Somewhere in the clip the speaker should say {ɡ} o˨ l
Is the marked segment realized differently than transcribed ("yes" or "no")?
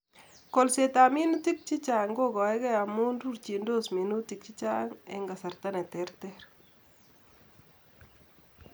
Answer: yes